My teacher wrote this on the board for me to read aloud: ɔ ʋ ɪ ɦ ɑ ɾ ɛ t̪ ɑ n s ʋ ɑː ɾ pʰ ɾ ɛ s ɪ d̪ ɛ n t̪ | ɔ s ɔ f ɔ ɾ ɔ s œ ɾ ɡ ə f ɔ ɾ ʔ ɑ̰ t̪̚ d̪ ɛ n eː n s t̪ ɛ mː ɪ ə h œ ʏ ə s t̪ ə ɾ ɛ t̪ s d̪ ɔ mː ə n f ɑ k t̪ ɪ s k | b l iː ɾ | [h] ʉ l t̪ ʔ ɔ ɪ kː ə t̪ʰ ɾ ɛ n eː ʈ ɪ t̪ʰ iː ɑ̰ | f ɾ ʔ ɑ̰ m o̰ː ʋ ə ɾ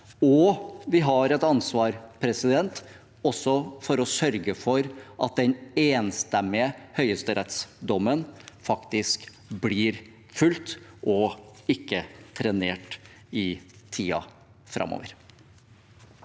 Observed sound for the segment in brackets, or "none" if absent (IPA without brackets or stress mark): f